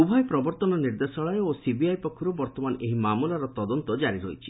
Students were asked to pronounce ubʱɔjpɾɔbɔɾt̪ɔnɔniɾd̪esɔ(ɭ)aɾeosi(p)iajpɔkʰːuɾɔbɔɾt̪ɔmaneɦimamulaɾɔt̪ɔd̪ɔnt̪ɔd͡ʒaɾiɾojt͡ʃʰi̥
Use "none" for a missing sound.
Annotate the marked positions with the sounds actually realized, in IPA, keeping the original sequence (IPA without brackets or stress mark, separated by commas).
ɭ, b